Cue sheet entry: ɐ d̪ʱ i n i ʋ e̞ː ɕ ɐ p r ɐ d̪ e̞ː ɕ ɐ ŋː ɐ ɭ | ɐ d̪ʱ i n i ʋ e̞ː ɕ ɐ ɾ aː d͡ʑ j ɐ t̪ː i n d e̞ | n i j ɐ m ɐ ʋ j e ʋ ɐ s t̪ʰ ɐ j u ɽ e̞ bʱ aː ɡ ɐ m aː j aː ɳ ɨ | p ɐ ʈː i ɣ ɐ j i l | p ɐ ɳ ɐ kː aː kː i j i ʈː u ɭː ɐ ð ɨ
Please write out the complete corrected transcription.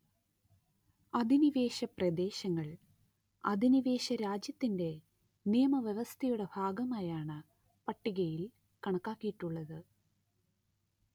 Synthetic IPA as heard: ɐ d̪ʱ i n i ʋ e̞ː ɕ ɐ p r ɐ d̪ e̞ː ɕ ɐ ŋː ɐ ɭ | ɐ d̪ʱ i n i ʋ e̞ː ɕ ɐ ɾ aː d͡ʑ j ɐ t̪ː i n d e̞ | n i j ɐ m ɐ ʋ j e ʋ ɐ s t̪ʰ ɐ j u ɽ e̞ bʱ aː ɡ ɐ m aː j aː ɳ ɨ | p ɐ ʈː i ɣ ɐ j i l | k ɐ ɳ ɐ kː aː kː i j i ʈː u ɭː ɐ ð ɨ

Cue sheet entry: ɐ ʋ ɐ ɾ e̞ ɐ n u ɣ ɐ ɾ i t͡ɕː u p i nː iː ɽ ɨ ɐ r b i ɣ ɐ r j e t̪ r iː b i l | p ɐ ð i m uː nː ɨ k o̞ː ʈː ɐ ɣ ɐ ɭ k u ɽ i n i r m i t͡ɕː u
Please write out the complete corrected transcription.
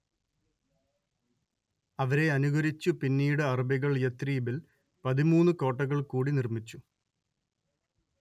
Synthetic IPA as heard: ɐ ʋ ɐ ɾ e̞ ɐ n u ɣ ɐ ɾ i t͡ɕː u p i nː iː ɽ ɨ ɐ r b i ɣ ɐ ɭ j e t̪ r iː b i l | p ɐ ð i m uː nː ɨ k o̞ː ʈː ɐ ɣ ɐ ɭ k uː ɽ i n i r m i t͡ɕː u

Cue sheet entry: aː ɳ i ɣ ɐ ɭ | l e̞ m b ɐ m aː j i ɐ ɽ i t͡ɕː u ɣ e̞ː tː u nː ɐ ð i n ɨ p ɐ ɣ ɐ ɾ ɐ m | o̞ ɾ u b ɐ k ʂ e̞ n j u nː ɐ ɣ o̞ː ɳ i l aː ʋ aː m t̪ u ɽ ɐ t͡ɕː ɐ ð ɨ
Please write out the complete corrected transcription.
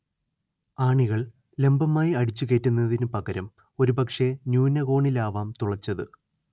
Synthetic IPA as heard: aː ɳ i ɣ ɐ ɭ | l e̞ m b ɐ m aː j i ɐ ɽ i t͡ɕː u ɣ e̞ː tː u nː ɐ ð i n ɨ p ɐ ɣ ɐ ɾ ɐ m | o̞ ɾ u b ɐ k ʂ e̞ n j uː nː ɐ ɣ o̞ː ɳ i l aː ʋ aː m t̪ u ɭ ɐ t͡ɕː ɐ ð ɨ

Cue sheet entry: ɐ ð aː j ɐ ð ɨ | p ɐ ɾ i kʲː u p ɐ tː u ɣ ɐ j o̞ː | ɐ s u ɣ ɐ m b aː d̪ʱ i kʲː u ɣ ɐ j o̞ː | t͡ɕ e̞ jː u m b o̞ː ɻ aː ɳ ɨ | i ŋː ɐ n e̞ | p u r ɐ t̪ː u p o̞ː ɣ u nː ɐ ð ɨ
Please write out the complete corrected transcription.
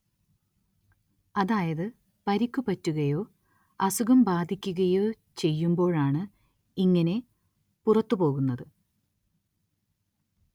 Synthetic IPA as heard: ɐ ð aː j ɐ ð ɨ | p ɐ ɾ i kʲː u p ɐ tː u ɣ ɐ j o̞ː | ɐ s u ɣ ɐ m b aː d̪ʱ i kʲː u ɣ ɐ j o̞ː | t͡ɕ e̞ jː u m b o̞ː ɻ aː ɳ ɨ | i ŋː ɐ n e̞ | p u r ɐ t̪ː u p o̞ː ɣ u nː ɐ ð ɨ

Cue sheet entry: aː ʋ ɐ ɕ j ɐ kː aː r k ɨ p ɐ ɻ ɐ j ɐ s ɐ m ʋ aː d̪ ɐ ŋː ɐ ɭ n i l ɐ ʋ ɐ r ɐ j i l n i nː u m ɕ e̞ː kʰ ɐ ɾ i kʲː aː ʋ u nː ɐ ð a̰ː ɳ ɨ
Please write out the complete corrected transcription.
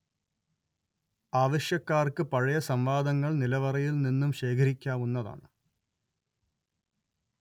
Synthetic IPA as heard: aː ʋ ɐ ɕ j ɐ kː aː r k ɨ p ɐ ɻ ɐ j ɐ s ɐ m ʋ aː d̪ ɐ ŋː ɐ ɭ n i l ɐ ʋ ɐ r ɐ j i l n i nː u m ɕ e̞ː kʰ ɐ ɾ i kʲː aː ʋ u nː ɐ ð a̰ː ɳ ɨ

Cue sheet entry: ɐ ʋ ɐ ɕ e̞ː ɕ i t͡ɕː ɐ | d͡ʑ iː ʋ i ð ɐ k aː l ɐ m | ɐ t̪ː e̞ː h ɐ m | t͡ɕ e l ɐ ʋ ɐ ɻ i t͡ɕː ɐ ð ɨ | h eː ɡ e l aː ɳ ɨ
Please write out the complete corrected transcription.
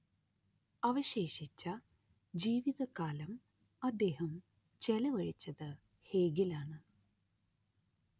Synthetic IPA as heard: ɐ ʋ ɐ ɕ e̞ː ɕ i t͡ɕː ɐ | d͡ʑ iː ʋ i ð ɐ k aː l ɐ m | ɐ d̪ː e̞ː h ɐ m | t͡ɕ e l ɐ ʋ ɐ ɻ i t͡ɕː ɐ ð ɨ | h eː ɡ i l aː ɳ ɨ

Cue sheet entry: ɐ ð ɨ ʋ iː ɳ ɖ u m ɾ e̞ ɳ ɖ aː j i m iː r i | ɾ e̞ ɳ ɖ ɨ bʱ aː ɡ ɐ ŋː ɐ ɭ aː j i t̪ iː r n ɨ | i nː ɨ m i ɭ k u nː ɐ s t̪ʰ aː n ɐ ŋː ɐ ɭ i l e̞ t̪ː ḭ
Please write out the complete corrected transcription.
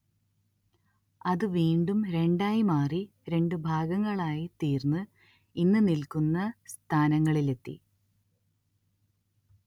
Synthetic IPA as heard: ɐ ð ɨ ʋ iː ɳ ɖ u m ɾ e̞ ɳ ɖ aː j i m aː r i | ɾ e̞ ɳ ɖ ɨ bʱ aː ɡ ɐ ŋː ɐ ɭ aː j i t̪ iː r n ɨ | i nː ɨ n i l k u nː ɐ s t̪ʰ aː n ɐ ŋː ɐ ɭ i l e̞ t̪ː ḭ

